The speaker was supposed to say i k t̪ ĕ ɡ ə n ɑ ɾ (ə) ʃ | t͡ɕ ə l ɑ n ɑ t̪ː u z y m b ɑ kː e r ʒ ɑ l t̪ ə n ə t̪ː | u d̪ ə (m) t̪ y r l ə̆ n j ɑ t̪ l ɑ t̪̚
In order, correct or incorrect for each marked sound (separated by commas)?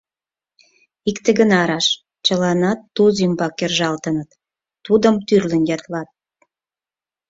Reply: incorrect, correct